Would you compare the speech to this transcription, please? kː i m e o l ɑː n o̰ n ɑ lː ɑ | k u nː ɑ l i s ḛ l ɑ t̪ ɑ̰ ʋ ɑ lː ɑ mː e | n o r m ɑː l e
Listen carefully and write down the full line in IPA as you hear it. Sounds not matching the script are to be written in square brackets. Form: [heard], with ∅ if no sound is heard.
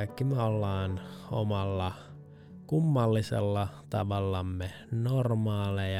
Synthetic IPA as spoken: kː i m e o [lː] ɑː n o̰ [m] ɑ lː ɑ | k u [mː] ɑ [lː] i s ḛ [lː] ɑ t̪ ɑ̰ ʋ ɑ lː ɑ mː e | n o r m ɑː l e